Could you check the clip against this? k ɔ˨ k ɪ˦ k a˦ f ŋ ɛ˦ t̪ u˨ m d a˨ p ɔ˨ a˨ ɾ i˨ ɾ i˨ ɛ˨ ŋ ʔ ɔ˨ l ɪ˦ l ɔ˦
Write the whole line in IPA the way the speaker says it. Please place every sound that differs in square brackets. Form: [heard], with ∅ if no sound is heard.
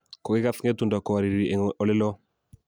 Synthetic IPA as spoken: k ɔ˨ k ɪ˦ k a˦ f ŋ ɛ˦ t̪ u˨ [n] d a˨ [k] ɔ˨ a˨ ɾ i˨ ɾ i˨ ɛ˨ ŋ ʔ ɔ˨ l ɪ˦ l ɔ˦

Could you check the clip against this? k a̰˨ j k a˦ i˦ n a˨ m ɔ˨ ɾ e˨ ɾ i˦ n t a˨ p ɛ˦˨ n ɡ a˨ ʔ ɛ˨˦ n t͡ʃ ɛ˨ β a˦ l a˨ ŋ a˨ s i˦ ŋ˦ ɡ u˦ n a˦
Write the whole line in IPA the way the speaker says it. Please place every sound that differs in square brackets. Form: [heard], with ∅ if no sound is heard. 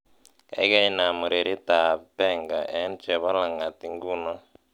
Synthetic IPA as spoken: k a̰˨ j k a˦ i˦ n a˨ m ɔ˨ ɾ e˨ ɾ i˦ [∅] t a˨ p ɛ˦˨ [ŋ] ɡ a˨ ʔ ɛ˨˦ n t͡ʃ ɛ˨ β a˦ l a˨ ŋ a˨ [t] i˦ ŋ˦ ɡ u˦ n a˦

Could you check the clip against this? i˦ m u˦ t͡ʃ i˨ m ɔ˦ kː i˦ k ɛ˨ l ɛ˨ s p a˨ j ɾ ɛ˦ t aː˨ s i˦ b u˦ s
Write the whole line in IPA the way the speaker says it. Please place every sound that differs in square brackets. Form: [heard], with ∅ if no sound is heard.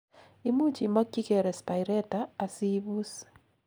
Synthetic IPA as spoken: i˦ m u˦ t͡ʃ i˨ m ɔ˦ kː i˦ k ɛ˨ [ɾ] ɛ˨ s p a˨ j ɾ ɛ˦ t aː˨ s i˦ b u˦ s

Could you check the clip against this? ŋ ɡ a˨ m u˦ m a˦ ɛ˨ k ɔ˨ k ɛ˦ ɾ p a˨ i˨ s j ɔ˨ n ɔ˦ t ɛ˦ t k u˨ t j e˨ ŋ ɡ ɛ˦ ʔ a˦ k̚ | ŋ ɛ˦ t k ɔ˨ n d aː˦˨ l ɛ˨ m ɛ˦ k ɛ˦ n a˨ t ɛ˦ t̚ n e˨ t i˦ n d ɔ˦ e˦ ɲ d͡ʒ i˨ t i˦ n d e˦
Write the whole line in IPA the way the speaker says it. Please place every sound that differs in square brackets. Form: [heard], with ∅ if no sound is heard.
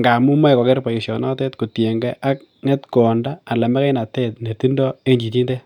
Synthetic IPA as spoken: ŋ ɡ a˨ m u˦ m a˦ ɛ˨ k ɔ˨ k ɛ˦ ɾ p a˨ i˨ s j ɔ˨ n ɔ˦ t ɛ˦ t k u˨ t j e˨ ŋ ɡ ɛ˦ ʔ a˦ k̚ | ŋ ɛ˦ t k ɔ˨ n d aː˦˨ l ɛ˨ m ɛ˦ k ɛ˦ n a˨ t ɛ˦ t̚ n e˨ t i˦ n d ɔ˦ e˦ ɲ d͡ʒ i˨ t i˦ n d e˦

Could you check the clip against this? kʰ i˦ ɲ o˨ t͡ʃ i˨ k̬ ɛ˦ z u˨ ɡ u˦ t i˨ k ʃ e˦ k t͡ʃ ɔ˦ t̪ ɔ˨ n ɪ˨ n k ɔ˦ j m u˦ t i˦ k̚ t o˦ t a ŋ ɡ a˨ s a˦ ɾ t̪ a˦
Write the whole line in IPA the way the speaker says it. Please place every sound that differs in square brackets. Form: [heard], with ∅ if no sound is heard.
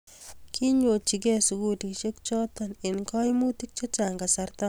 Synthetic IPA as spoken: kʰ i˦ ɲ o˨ t͡ʃ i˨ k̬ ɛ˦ [s] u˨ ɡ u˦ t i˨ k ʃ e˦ k t͡ʃ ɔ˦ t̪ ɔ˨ n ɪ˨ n k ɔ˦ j m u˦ t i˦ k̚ [t͡ʃ] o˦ [t͡ʃ] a ŋ ɡ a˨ s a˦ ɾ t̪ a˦

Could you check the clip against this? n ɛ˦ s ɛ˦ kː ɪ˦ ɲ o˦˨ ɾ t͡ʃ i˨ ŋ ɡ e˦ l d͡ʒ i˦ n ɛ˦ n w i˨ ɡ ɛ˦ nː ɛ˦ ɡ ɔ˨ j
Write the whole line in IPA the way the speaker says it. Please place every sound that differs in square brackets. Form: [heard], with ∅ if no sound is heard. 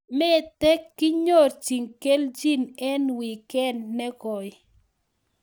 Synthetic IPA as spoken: [m] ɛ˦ [t] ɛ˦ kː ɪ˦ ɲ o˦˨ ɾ t͡ʃ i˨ ŋ [k] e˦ l d͡ʒ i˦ n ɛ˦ n w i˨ [k] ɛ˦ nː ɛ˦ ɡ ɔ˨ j

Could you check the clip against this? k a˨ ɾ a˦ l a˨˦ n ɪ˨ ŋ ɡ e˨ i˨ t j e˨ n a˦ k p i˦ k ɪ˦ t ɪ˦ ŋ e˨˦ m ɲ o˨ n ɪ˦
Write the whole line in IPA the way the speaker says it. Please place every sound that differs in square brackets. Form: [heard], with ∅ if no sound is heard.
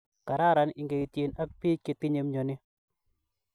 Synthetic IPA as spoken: k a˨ ɾ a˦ [ɾ] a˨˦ n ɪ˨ ŋ ɡ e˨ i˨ t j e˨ n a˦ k p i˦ k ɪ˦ t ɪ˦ [ɲ] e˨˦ m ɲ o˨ n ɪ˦

